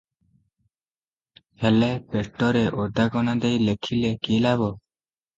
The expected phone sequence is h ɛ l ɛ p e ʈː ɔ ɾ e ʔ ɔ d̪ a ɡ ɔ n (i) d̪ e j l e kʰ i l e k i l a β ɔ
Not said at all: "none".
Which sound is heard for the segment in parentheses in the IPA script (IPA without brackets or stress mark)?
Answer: a